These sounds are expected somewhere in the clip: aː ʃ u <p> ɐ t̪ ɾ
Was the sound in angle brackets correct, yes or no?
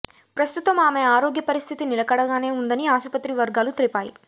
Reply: yes